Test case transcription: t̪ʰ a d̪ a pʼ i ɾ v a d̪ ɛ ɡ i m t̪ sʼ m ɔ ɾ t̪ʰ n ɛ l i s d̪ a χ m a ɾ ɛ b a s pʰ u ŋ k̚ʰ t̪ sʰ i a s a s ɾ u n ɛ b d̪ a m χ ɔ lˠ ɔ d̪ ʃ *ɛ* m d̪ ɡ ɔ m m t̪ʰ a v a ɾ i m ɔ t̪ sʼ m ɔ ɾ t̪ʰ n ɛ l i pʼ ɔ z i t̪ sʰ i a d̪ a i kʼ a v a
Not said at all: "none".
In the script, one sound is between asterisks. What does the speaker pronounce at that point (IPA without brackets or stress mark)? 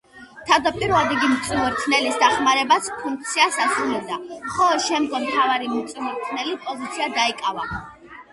ɛ